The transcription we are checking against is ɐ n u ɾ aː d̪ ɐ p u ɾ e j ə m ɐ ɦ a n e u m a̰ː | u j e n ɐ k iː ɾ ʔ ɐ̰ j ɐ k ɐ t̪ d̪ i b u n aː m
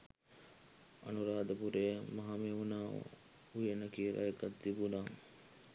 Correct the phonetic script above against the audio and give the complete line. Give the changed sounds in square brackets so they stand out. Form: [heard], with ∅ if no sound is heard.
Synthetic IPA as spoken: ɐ n u ɾ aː d̪ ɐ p u ɾ e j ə m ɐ ɦ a [m] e u [n] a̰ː | u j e n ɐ k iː ɾ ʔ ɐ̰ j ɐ k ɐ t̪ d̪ i b u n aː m